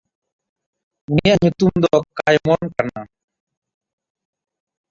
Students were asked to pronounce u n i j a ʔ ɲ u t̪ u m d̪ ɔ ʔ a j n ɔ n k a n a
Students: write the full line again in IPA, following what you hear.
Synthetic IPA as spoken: u n i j a ʔ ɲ u t̪ u m d̪ ɔ k a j m ɔ n k a n a